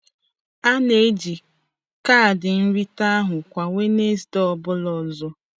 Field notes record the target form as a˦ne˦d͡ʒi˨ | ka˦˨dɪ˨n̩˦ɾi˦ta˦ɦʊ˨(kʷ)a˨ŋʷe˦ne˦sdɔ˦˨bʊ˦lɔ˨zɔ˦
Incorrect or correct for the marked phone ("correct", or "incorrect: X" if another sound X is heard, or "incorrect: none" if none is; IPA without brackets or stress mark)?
correct